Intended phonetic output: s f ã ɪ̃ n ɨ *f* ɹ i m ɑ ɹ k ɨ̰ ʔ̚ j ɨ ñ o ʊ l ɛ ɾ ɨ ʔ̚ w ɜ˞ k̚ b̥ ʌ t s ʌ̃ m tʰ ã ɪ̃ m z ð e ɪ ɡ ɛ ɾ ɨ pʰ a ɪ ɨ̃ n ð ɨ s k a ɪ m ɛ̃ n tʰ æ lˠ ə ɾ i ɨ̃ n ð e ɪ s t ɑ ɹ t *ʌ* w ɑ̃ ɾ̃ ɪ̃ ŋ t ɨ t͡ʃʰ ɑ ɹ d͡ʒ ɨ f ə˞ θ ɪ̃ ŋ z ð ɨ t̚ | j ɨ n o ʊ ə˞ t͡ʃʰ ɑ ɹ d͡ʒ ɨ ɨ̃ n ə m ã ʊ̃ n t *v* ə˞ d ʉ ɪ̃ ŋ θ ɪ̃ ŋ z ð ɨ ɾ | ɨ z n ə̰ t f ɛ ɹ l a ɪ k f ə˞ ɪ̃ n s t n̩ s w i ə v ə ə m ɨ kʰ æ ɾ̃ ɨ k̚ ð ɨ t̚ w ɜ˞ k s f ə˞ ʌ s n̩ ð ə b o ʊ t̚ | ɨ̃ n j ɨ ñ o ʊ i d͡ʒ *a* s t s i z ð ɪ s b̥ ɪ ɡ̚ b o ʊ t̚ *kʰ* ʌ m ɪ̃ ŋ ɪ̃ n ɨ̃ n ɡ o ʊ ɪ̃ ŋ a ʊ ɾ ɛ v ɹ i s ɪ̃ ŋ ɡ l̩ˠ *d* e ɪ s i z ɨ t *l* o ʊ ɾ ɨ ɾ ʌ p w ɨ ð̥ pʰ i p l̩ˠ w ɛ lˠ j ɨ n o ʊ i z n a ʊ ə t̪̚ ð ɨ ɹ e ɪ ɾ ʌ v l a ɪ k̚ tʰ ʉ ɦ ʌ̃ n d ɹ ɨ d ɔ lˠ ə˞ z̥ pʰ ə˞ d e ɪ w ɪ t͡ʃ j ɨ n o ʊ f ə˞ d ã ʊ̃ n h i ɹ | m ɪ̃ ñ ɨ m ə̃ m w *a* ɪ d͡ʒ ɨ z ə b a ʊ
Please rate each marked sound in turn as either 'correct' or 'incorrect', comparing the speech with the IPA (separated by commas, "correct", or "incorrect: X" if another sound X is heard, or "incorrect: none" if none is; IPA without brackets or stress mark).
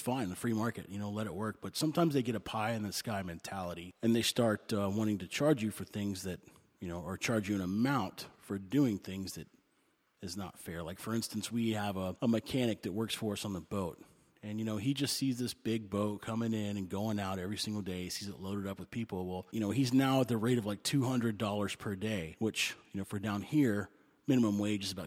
correct, correct, incorrect: f, incorrect: ʌ, correct, correct, correct, incorrect: e